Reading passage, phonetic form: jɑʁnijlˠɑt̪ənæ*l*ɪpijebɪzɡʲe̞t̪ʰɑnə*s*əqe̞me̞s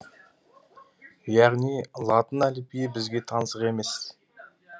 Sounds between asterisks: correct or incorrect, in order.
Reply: correct, correct

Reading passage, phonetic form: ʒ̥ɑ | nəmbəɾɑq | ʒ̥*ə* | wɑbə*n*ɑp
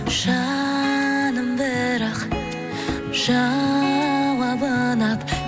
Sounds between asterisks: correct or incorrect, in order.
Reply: incorrect: ɑ, correct

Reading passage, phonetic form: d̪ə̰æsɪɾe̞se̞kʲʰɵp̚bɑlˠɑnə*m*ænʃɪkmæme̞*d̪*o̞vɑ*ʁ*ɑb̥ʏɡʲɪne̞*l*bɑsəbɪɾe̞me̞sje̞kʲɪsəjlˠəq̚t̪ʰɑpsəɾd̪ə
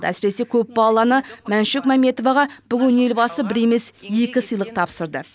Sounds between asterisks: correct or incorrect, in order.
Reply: correct, incorrect: t̪, correct, correct

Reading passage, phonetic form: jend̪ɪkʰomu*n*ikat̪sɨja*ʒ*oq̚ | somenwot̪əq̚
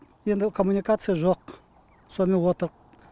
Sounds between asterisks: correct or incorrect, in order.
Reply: correct, correct

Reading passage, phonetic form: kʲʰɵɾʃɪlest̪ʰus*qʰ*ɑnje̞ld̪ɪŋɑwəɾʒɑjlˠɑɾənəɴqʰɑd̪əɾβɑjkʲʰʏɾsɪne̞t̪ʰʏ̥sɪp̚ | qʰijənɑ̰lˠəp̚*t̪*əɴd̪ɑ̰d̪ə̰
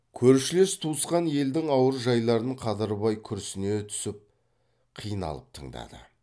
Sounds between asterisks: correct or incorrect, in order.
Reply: incorrect: q, incorrect: t̪ʰ

